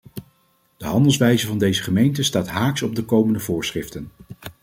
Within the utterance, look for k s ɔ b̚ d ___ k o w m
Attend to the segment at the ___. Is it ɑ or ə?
ə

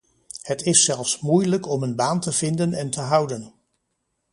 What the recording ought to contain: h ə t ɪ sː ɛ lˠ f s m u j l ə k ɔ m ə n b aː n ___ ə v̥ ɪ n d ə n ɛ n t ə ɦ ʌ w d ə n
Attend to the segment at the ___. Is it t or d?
t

